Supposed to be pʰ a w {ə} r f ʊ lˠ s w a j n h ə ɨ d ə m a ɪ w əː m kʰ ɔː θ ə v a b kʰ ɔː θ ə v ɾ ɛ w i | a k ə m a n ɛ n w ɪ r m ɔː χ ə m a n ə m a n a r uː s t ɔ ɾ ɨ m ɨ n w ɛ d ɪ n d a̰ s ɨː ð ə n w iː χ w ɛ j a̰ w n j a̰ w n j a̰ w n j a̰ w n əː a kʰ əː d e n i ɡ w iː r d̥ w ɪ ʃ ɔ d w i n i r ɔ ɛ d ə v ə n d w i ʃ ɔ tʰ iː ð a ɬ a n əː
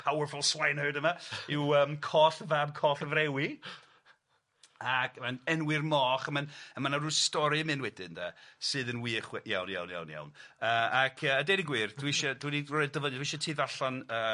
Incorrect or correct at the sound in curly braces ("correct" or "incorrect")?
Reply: correct